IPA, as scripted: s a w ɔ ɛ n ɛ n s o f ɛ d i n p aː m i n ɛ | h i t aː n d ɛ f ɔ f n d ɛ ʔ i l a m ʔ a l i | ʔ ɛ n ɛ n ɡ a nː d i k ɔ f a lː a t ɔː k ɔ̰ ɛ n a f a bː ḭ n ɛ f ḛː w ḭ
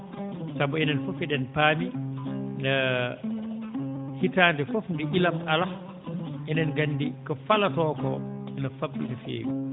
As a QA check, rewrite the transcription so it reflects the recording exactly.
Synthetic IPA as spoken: s a b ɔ ɛ n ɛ n f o f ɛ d ɛ n p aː m i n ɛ | h i t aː n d ɛ f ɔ f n d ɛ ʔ i l a m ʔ a l a | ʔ ɛ n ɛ n ɡ a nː d i k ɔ f a l a t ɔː k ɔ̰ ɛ n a f a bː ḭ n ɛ f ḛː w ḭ